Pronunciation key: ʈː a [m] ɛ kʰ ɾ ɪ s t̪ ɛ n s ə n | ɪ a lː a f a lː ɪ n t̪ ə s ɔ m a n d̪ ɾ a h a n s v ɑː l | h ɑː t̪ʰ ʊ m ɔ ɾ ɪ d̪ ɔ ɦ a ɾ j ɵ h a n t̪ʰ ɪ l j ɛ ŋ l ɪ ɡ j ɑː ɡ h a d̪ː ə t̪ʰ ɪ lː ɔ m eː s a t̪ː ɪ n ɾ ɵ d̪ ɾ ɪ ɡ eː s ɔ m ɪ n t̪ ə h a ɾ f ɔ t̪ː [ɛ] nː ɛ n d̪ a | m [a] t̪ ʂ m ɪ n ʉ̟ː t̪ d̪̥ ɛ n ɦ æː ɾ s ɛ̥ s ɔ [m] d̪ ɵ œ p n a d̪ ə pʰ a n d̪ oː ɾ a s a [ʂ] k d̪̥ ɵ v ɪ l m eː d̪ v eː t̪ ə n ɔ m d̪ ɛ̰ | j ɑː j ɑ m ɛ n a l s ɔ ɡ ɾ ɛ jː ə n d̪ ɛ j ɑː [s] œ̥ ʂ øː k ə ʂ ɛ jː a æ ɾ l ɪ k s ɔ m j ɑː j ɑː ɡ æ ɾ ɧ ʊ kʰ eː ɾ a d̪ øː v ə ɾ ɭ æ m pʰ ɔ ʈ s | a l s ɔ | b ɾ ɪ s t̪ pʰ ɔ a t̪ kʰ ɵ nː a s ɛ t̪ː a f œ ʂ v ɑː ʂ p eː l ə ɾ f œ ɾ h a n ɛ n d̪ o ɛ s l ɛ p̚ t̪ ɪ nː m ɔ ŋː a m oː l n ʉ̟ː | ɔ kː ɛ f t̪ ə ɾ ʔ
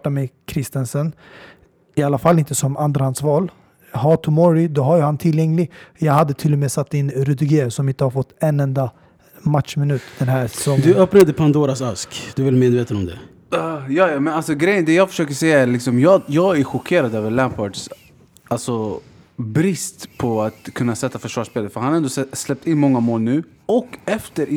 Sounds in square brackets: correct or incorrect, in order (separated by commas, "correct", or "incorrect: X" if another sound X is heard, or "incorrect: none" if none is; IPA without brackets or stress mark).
correct, correct, correct, incorrect: ŋ, incorrect: s, incorrect: f